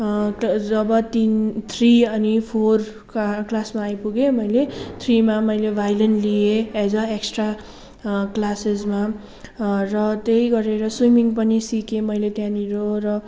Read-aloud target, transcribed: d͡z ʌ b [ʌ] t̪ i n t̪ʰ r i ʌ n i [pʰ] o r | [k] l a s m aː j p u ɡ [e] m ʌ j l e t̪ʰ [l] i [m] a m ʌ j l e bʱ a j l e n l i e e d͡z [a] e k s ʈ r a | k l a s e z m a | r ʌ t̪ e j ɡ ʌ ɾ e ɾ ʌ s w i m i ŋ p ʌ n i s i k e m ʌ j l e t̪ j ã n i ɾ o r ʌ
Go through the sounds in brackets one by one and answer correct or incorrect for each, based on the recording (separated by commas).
correct, correct, correct, correct, incorrect, correct, incorrect